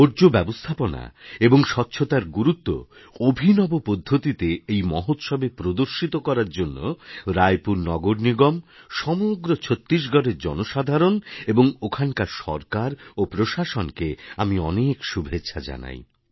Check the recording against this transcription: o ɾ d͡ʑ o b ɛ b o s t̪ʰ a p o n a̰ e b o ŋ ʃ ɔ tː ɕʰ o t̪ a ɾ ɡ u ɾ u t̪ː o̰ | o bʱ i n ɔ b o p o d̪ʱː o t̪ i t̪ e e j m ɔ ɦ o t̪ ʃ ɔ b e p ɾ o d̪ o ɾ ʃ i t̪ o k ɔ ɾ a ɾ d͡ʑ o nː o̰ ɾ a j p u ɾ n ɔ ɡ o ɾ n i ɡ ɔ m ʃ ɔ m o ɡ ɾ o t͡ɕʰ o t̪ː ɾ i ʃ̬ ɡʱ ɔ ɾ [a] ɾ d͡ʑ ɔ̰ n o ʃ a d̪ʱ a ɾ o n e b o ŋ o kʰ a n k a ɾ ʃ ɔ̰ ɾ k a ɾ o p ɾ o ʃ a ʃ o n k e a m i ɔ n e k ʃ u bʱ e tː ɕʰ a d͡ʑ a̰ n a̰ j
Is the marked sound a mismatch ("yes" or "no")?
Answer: yes